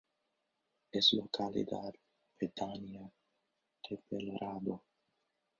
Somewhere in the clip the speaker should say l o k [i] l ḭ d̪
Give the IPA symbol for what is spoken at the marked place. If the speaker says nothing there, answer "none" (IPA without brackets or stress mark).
a